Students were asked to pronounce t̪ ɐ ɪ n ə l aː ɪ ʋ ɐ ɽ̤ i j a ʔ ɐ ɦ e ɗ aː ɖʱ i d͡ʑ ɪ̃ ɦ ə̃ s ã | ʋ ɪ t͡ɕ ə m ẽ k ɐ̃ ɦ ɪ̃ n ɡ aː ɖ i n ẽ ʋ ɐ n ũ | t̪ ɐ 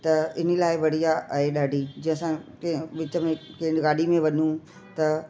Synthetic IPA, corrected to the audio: t̪ ɐ ɪ n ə l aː ɪ ʋ ɐ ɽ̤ i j a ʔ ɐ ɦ e ɗ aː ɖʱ i d͡ʑ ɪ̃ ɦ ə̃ s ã | ʋ ɪ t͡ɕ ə m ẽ k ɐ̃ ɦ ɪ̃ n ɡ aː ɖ i m ẽ ʋ ɐ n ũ | t̪ ɐ